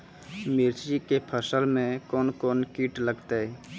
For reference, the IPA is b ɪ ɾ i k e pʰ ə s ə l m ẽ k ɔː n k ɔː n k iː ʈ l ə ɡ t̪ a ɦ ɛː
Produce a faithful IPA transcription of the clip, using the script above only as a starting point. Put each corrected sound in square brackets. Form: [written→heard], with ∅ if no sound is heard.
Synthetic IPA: [b→m] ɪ ɾ i k e pʰ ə s ə l m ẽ k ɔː n k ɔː n k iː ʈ l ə ɡ t̪ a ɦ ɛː